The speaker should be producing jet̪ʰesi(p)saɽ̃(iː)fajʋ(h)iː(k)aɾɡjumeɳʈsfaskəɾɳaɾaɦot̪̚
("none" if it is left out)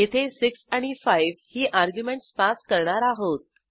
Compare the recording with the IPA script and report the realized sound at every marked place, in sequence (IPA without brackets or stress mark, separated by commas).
k, i, h, ʔ